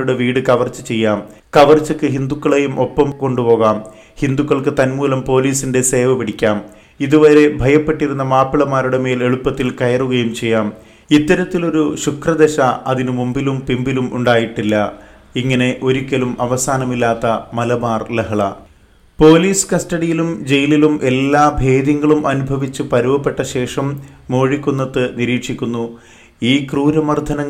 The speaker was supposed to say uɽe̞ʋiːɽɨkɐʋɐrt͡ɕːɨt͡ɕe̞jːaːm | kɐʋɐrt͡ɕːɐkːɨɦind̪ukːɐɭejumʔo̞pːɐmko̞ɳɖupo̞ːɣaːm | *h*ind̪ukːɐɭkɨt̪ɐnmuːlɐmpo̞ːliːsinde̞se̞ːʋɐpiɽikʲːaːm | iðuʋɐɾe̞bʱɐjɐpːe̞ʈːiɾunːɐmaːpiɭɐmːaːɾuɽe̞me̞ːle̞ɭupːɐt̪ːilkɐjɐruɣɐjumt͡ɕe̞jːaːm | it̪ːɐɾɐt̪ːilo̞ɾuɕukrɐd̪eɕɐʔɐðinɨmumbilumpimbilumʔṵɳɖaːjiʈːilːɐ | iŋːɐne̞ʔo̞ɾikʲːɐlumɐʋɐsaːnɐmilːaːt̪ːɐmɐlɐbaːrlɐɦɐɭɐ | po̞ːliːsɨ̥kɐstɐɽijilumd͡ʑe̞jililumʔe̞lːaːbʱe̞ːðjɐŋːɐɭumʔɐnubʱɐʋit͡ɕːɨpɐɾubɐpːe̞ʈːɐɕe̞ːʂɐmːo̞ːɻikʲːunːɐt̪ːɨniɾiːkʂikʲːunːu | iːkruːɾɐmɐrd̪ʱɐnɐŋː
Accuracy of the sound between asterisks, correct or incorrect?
correct